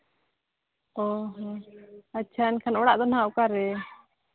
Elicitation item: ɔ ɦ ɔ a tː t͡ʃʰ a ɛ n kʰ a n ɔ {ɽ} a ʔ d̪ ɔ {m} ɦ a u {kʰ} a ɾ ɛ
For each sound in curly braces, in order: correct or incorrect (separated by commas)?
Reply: correct, incorrect, incorrect